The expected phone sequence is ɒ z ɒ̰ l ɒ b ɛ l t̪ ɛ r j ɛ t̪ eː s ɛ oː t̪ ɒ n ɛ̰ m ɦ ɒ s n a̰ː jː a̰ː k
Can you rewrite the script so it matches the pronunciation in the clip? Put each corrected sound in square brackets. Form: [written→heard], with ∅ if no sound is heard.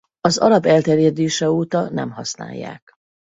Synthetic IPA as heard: ɒ z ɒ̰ l ɒ b ɛ l t̪ ɛ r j ɛ [t̪→d̪] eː [s→ʃ] ɛ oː t̪ ɒ n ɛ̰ m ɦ ɒ s n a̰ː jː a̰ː k

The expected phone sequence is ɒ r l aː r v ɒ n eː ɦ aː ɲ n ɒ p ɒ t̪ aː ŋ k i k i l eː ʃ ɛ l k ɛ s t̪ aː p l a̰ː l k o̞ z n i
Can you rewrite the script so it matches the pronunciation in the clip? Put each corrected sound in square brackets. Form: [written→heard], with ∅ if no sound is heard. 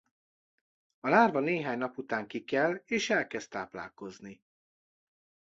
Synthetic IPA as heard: ɒ [r→∅] l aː r v ɒ n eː ɦ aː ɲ n ɒ p [ɒ→u] t̪ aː ŋ k i k [i→ɛ] l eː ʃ ɛ l k ɛ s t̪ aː p l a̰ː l k o̞ z n i

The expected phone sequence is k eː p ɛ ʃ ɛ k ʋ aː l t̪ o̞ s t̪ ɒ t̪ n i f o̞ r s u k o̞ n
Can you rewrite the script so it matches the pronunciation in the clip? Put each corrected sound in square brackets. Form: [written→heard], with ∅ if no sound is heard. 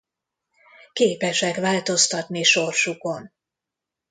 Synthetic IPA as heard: k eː p ɛ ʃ ɛ k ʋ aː l t̪ o̞ s t̪ ɒ t̪ n i [f→ʃ] o̞ r [s→ʃ] u k o̞ n

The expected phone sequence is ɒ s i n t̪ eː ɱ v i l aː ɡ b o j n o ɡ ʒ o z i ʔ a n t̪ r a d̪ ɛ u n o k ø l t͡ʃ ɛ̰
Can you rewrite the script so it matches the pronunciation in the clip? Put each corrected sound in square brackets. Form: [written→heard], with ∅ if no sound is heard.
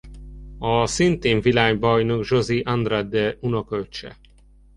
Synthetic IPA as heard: ɒ s i n t̪ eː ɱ v i l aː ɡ b [o→ɒ] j n o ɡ ʒ o z i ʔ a n [t̪→d̪] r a d̪ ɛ u n o k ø l t͡ʃ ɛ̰

